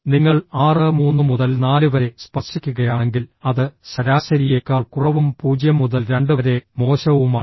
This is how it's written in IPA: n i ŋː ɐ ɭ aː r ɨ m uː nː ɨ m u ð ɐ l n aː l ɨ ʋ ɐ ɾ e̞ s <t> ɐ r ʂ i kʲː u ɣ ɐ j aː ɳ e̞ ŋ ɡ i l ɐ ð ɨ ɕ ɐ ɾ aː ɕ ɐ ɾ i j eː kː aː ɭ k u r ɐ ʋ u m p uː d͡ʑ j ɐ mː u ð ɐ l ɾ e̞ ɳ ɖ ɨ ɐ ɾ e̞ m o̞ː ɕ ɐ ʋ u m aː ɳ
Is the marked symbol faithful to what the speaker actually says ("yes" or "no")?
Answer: no